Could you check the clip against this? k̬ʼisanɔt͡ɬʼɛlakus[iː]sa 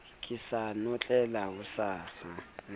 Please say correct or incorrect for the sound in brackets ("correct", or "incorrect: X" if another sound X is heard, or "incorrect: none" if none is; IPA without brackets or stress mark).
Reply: incorrect: aː